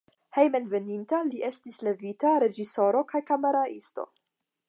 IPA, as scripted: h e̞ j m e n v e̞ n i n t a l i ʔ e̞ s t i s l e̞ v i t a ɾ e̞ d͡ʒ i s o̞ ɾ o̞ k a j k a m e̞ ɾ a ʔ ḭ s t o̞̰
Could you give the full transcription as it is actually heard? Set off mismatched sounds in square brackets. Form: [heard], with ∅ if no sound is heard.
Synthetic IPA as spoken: h e̞ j m e n v e̞ n i n t a l i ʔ e̞ s t i s l e̞ v i t a ɾ e̞ d͡ʒ i s o̞ ɾ o̞ k a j k a m e̞ ɾ a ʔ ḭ s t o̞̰